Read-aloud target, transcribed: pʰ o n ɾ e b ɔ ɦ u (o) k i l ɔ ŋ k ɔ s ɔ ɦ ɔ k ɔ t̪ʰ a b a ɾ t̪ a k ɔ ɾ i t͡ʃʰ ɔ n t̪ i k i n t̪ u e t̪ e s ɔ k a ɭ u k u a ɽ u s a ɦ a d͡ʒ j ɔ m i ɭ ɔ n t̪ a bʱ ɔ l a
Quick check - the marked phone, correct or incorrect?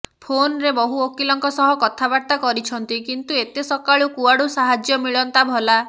correct